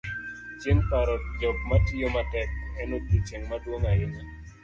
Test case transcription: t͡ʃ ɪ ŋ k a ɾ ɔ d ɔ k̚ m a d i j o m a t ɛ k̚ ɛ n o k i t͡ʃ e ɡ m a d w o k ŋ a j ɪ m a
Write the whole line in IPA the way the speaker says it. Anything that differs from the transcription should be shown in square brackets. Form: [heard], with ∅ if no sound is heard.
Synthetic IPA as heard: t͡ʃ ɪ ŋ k a ɾ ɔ [d͡ʒ] ɔ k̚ m a [t] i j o m a t ɛ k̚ ɛ n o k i t͡ʃ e [ŋ] m a d w o [∅] ŋ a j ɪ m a